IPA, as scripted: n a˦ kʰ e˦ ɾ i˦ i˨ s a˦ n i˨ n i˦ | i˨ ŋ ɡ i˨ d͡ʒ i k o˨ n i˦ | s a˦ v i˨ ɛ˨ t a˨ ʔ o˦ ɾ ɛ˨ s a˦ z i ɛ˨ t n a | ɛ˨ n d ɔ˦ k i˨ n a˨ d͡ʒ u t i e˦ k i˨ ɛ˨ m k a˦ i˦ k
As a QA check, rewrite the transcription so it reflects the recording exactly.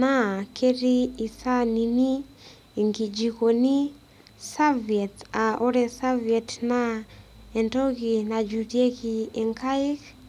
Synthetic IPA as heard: n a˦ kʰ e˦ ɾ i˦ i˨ s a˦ n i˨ n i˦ | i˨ ŋ ɡ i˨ d͡ʒ i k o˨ n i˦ | s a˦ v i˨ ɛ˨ t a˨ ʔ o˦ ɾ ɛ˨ s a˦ v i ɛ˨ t n a | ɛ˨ n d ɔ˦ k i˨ n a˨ d͡ʒ u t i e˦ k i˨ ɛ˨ ŋ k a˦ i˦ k